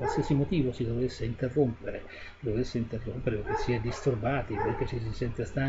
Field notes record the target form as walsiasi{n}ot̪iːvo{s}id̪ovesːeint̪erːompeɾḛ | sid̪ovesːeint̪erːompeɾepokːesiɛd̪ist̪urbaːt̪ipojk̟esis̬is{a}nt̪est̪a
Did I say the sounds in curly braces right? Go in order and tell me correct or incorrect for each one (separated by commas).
incorrect, correct, incorrect